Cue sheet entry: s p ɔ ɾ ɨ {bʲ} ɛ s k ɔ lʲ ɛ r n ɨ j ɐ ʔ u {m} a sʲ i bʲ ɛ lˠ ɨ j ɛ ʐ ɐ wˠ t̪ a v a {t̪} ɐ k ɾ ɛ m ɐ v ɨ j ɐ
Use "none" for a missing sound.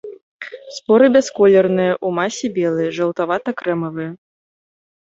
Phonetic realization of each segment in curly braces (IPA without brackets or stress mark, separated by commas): bʲ, m, t̪